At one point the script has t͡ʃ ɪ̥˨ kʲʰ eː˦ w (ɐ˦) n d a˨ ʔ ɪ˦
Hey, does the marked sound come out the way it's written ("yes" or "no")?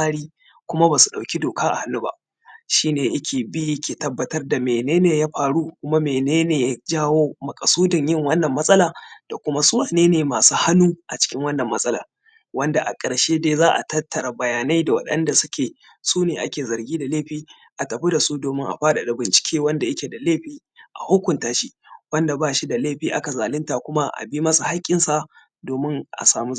yes